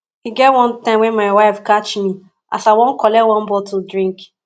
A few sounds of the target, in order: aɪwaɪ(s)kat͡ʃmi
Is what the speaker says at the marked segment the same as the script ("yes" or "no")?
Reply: no